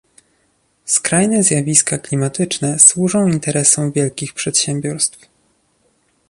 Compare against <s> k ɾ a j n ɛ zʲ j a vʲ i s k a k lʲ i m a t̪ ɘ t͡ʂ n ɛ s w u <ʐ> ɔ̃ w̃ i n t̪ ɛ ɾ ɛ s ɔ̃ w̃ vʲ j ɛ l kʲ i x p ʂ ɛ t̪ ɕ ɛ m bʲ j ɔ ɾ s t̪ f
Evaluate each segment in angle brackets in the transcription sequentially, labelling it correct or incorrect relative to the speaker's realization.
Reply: correct, correct

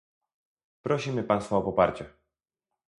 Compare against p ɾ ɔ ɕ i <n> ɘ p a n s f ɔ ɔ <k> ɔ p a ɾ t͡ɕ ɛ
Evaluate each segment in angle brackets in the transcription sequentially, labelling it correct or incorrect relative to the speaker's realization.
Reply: incorrect, incorrect

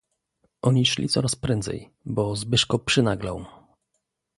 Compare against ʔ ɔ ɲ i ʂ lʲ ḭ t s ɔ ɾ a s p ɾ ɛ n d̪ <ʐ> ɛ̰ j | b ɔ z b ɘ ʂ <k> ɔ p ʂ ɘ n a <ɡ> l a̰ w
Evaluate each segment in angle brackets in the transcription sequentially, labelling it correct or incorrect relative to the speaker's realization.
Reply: incorrect, correct, correct

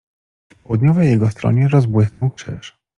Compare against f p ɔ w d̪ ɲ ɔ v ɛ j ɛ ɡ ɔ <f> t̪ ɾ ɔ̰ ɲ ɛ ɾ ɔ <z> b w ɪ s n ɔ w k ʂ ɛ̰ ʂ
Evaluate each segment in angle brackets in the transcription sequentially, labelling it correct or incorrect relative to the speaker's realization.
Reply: incorrect, correct

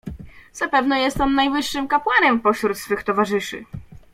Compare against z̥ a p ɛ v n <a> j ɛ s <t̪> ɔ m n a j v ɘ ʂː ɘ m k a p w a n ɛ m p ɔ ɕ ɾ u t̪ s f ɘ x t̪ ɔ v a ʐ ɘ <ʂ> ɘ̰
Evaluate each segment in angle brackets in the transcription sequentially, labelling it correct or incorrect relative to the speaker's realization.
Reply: incorrect, correct, correct

